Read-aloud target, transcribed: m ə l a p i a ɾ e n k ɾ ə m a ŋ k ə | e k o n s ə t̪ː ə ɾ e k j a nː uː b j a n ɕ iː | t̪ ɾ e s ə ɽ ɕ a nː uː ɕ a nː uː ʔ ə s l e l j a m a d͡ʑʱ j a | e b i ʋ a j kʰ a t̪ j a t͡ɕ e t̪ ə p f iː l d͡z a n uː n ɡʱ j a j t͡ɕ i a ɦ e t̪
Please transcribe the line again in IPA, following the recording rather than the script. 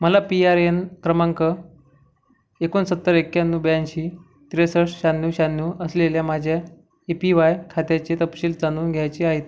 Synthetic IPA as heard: m ə l a p i a ɾ e n k ɾ ə m a ŋ k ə | e k o n s ə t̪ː ə ɾ e k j a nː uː b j a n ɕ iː | t̪ ɾ e s ə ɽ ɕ a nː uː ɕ a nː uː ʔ ə s l e l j a m a d͡ʑʱ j a | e p i ʋ a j kʰ a t̪ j a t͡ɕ e t̪ ə p ɕ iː l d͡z a n uː n ɡʱ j a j t͡ɕ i a ɦ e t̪